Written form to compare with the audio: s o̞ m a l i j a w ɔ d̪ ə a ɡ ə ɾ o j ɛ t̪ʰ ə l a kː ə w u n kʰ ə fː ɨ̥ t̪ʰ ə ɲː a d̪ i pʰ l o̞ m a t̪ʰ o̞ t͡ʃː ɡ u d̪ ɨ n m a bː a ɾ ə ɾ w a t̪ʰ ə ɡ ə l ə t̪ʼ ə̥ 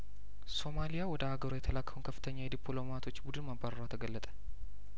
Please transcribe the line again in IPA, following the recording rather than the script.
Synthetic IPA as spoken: s o̞ m a l i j a w ɔ d̪ ə a ɡ ə ɾ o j ɛ t̪ʰ ə l a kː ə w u n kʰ ə fː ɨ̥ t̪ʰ ə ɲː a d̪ i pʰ l o̞ m a t̪ʰ o̞ t͡ʃː b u d̪ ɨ n m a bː a ɾ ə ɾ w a t̪ʰ ə ɡ ə lː ə t̪ʼ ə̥